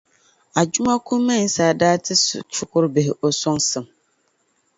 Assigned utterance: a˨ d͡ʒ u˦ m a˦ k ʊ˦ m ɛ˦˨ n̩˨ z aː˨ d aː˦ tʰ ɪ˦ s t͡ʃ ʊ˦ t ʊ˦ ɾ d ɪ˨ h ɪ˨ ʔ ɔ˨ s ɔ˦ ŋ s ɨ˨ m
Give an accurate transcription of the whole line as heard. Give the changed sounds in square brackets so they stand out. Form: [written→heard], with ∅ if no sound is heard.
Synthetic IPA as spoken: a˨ d͡ʒ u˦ m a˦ k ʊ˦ m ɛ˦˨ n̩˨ [z→s] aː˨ d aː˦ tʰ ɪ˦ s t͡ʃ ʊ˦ [t→k] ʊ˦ ɾ [d→b] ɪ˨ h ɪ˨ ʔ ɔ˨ s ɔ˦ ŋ s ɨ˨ m